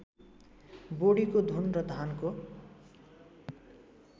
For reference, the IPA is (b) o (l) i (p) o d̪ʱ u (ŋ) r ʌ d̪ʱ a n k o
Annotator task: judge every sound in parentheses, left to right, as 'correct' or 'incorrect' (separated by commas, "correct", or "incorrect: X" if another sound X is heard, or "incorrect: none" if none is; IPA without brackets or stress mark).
correct, incorrect: ɽ, incorrect: k, incorrect: n